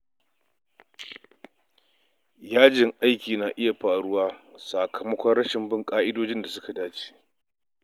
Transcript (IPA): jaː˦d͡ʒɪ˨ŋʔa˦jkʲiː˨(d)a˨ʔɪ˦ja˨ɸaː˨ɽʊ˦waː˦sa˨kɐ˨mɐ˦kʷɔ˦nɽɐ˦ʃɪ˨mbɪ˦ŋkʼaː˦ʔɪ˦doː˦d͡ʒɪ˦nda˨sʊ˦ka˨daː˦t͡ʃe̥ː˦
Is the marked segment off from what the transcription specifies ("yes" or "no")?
yes